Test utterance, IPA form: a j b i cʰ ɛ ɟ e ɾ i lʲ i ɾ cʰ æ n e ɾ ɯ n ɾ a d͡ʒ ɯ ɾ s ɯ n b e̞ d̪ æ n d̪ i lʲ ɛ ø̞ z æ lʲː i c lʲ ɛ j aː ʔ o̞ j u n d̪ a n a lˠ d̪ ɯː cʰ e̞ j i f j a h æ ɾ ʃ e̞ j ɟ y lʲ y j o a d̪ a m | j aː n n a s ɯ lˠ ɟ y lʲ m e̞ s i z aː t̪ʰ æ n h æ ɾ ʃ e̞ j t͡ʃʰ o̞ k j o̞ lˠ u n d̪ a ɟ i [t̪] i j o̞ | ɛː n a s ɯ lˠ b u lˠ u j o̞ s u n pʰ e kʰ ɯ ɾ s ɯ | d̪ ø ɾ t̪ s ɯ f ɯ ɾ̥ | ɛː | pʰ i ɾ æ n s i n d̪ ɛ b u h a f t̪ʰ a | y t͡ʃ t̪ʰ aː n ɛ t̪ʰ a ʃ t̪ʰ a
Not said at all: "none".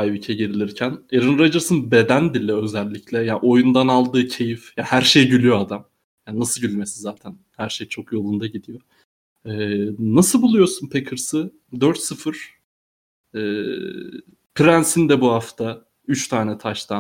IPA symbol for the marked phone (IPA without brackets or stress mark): d̪